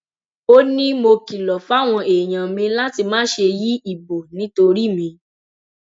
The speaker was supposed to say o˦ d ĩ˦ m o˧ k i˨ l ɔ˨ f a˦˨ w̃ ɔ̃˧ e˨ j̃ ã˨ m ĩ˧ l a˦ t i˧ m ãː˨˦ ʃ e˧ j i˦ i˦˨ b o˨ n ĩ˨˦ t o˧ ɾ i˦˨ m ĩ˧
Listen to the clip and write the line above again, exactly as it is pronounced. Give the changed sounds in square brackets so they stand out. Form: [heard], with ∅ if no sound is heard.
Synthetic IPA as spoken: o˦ [n] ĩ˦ m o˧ k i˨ l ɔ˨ f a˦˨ w̃ ɔ̃˧ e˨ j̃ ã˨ m ĩ˧ l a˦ t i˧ m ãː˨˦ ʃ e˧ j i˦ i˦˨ b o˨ n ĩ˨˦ t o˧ ɾ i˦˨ m ĩ˧